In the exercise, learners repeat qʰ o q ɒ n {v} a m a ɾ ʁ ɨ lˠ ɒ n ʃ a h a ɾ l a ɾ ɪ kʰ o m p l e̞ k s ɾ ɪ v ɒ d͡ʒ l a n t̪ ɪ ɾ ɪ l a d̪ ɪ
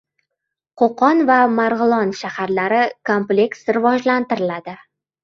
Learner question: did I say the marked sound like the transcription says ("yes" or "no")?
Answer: yes